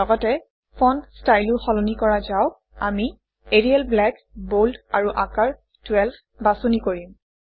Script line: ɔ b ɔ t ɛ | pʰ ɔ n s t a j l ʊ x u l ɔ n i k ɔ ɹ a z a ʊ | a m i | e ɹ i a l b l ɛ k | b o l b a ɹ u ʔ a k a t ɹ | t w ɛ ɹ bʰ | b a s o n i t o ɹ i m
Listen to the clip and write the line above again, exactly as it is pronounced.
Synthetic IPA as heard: ɔ ɡ ɔ t ɛ | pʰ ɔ n s t a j l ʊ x ɔ l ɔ n i k ɔ ɹ a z a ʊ | a m i | e ɹ i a l b l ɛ k | b o l d a ɹ u ʔ a k a ɹ | t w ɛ l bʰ | b a s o n i k o ɹ i m